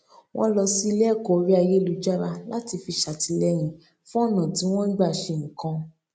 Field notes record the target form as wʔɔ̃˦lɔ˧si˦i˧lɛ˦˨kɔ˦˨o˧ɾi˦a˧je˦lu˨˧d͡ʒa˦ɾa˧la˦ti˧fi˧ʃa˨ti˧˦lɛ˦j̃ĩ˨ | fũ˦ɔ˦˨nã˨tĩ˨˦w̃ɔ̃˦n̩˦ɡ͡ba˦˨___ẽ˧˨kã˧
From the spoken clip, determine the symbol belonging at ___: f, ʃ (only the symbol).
ʃ